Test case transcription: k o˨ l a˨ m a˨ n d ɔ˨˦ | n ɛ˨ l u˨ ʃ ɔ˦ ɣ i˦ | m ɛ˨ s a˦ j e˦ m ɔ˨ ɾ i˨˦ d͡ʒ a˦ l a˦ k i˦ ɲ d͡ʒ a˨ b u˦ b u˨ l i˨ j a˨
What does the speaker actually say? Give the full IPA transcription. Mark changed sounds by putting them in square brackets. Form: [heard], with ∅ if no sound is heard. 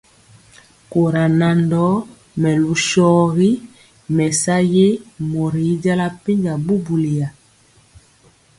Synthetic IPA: k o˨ [ɾ] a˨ [n] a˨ n d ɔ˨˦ | [m] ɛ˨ l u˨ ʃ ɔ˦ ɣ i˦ | m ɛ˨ s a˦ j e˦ m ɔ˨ ɾ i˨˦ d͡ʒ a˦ l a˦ [p] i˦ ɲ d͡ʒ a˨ b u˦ b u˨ l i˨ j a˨